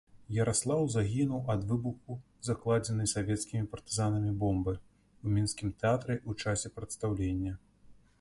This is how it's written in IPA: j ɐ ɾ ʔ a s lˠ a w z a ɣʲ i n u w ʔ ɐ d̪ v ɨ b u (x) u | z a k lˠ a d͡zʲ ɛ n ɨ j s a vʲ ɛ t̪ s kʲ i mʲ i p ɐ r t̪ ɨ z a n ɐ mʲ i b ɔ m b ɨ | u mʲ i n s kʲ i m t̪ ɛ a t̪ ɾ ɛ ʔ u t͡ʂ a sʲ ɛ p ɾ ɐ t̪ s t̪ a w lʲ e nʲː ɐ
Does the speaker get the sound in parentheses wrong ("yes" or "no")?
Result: no